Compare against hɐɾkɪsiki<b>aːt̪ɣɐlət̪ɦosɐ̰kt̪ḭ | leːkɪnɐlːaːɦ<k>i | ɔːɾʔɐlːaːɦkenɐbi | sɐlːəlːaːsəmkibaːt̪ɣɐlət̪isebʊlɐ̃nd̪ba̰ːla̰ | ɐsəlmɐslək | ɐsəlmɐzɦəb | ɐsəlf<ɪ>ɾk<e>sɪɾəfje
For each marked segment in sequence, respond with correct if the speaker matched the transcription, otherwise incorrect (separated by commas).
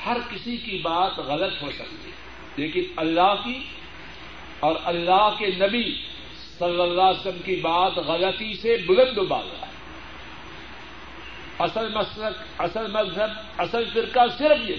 correct, correct, correct, incorrect